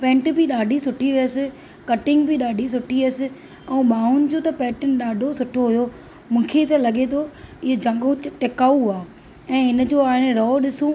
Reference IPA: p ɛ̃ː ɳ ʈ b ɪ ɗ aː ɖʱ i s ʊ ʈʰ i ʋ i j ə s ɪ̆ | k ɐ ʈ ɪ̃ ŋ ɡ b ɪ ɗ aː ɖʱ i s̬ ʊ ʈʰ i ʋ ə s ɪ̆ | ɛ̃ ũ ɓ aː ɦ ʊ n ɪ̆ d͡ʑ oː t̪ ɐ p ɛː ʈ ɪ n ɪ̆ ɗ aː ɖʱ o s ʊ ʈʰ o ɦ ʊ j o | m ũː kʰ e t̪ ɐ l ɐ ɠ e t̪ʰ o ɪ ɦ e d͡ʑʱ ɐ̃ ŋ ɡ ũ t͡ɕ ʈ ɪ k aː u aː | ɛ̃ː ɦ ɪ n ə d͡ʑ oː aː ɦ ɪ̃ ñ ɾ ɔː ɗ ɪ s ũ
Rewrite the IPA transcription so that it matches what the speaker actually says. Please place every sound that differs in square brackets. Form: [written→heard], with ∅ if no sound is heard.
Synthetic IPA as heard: p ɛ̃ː ɳ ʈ b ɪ ɗ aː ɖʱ i s ʊ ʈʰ i ʋ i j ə s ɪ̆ | k ɐ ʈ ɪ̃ ŋ ɡ b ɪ ɗ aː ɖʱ i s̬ ʊ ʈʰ i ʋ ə s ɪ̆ | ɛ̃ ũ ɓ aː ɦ ʊ n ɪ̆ d͡ʑ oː t̪ ɐ p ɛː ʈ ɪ n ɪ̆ ɗ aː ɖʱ o s ʊ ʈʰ o ɦ ʊ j o | m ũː kʰ e t̪ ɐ l ɐ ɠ e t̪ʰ o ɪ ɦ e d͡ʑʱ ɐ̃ ŋ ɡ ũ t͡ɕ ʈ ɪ k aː u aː | ɛ̃ː ɦ ɪ n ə d͡ʑ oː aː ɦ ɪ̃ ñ ɾ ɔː ɗ ɪ s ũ